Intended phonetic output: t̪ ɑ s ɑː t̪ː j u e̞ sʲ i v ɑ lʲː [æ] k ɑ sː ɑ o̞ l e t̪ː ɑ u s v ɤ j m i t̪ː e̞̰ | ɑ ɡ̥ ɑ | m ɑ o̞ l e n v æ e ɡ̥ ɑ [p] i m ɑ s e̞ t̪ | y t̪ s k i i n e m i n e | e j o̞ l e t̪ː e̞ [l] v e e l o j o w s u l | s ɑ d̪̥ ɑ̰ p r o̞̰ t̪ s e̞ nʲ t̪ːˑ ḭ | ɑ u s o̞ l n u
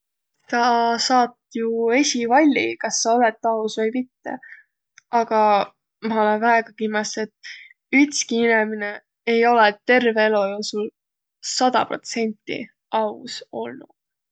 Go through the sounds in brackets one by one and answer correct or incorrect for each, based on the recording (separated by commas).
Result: incorrect, incorrect, incorrect